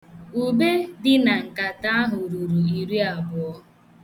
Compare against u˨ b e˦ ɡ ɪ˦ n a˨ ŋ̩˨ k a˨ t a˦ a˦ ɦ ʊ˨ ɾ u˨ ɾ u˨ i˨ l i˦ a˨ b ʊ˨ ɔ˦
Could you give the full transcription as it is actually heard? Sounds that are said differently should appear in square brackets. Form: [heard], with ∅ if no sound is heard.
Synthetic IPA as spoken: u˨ b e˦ [d] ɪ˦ n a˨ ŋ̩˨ k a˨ t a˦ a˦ ɦ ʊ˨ ɾ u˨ ɾ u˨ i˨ [ɾ] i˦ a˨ b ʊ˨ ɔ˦